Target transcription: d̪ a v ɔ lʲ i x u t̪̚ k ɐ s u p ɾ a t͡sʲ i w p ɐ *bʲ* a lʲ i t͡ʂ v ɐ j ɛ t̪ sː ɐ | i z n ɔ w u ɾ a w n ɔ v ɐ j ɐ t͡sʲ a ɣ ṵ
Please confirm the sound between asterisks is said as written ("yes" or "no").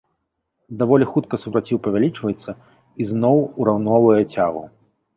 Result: no